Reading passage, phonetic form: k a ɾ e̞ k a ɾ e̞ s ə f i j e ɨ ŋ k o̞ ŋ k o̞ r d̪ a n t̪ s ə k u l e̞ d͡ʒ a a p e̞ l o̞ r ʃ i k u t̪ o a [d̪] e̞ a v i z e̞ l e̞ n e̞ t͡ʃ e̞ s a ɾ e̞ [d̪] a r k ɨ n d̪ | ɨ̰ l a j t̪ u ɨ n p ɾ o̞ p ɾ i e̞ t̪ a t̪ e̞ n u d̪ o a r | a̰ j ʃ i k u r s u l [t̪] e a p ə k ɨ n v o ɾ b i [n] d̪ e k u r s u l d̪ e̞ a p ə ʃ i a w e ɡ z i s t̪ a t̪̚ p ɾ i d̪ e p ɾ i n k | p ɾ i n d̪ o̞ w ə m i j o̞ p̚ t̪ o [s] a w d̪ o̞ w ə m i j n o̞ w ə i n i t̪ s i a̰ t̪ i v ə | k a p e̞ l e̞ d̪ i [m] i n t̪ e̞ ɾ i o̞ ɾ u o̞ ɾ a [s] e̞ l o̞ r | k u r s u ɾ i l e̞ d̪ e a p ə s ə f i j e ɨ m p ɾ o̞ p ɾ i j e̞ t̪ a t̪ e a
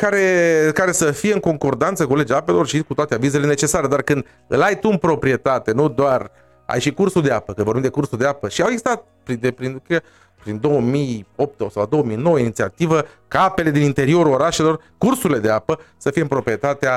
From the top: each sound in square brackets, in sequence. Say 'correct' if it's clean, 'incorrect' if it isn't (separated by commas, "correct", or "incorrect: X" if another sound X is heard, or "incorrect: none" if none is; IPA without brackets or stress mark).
incorrect: t̪, correct, incorrect: d̪, incorrect: m, correct, incorrect: n, incorrect: ʃ